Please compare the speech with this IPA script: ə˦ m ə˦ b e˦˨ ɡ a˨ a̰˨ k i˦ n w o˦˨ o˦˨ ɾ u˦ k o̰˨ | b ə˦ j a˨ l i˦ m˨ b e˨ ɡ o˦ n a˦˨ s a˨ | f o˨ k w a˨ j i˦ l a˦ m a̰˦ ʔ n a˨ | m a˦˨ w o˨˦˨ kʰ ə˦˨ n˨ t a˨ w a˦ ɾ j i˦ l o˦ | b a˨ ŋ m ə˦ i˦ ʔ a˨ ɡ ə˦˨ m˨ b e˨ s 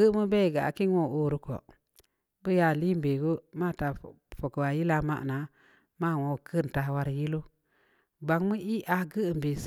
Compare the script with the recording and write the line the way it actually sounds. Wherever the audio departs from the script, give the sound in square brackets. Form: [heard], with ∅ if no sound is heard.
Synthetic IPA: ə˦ m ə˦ b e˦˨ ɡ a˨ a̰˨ k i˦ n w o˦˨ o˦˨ ɾ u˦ k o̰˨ | b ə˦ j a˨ l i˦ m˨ b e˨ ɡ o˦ [m] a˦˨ [t] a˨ | f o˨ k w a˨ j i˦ l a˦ m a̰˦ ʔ n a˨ | m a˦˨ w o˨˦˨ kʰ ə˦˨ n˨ t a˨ w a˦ ɾ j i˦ l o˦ | b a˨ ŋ m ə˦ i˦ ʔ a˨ ɡ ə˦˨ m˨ b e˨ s